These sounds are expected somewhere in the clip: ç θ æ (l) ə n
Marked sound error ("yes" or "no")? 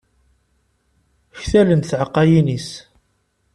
no